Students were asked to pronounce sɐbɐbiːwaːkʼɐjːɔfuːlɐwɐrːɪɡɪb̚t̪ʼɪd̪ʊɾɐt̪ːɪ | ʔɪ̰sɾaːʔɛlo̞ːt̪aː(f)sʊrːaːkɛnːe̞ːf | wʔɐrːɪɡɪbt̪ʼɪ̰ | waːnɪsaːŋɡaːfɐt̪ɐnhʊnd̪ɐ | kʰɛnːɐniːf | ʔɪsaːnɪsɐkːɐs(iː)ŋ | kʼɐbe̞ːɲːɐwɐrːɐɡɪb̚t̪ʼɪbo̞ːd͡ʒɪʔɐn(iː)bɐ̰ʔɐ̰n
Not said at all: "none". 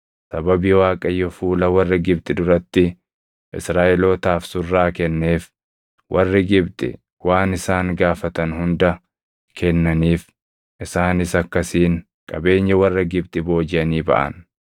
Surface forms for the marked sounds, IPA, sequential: f, iː, iː

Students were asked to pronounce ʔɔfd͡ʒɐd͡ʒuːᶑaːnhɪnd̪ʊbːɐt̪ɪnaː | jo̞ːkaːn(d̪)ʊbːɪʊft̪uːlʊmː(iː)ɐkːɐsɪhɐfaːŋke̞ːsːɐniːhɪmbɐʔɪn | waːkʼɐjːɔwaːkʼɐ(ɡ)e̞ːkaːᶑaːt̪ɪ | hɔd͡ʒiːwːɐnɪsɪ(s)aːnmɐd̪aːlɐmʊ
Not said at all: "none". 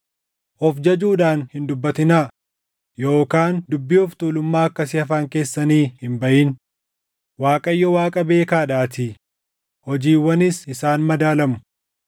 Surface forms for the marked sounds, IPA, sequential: d̪, aː, b, s

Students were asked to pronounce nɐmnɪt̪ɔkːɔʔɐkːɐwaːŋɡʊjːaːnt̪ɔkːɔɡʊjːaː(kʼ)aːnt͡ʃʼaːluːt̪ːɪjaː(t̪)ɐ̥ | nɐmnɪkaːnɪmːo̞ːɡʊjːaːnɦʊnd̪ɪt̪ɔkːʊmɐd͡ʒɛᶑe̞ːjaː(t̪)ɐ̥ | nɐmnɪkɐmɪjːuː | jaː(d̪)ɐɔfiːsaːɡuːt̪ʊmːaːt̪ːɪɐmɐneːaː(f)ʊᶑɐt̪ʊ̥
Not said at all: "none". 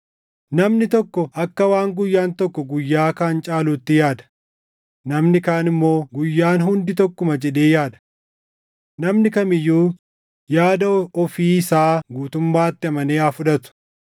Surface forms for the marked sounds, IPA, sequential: k, d̪, d̪, d̪, f

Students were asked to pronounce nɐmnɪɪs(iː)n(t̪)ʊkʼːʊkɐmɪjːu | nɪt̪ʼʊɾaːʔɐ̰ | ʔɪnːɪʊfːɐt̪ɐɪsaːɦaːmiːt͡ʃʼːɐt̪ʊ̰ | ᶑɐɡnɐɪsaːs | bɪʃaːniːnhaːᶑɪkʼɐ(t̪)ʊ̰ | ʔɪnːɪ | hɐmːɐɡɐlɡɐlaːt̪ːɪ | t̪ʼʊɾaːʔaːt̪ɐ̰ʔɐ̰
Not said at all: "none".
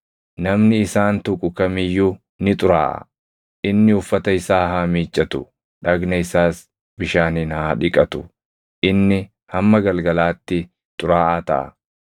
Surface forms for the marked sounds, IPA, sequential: aː, t̪, t̪

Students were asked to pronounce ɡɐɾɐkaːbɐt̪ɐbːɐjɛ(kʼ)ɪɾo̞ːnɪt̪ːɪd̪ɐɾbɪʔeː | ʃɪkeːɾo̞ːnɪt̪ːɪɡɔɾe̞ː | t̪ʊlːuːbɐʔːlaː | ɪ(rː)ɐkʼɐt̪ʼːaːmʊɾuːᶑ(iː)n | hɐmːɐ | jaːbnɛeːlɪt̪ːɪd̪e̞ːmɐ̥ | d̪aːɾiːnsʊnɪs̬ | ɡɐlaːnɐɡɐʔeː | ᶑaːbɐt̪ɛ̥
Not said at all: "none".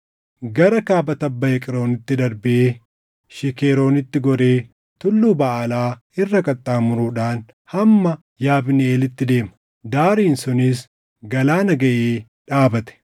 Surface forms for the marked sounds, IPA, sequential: kʼ, rː, aː

